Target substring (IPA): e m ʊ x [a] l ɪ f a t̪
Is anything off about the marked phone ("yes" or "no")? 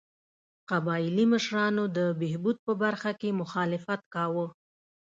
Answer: yes